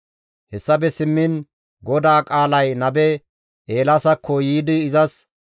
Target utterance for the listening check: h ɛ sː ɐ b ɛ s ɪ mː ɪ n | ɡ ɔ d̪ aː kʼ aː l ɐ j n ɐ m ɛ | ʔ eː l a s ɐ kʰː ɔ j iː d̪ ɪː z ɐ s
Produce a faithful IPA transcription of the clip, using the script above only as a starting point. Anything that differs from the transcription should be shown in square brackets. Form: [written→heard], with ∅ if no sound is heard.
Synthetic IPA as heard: h ɛ sː ɐ b ɛ s ɪ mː ɪ n | ɡ ɔ d̪ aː kʼ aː l ɐ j n ɐ [m→b] ɛ | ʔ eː l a s ɐ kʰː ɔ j iː d̪ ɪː z ɐ s